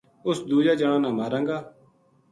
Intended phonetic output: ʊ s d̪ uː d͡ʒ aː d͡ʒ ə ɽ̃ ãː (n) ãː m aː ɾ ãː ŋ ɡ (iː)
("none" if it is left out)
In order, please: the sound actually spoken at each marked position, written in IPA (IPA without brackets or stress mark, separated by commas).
n, aː